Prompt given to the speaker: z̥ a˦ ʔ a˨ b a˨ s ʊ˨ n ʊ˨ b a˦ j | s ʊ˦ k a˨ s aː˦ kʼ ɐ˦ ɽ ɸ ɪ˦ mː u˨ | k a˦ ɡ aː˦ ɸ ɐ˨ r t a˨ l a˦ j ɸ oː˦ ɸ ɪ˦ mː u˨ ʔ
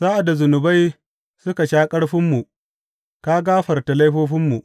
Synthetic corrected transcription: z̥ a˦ ʔ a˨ d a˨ z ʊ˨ n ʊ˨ b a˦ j | s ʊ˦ k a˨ ʃ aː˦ kʼ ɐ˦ ɽ ɸ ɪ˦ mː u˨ | k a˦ ɡ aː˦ ɸ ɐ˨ r t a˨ l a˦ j ɸ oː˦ ɸ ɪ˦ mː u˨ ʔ